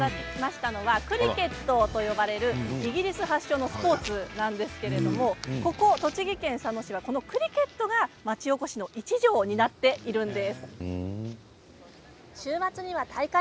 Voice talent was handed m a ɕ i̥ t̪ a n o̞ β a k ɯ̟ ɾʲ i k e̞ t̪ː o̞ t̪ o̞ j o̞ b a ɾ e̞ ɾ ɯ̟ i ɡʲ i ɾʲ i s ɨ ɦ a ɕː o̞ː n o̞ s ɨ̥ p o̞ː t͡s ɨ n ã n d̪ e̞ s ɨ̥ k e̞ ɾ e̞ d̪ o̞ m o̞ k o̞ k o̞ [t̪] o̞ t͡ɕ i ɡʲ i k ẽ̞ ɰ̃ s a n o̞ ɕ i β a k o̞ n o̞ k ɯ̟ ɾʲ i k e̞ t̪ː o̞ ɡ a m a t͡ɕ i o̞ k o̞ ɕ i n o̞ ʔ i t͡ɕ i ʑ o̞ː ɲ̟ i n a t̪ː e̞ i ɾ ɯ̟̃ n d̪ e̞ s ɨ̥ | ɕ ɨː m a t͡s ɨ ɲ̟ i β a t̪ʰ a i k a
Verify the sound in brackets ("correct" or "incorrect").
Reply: correct